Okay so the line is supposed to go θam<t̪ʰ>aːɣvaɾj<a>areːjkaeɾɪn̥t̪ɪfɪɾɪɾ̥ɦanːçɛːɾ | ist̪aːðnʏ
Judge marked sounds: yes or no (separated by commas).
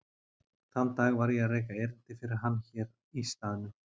no, no